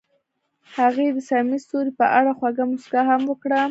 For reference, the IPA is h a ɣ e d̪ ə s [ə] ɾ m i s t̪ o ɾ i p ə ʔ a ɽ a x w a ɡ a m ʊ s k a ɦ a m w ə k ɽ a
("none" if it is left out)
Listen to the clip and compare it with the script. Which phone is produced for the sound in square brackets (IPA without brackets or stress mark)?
a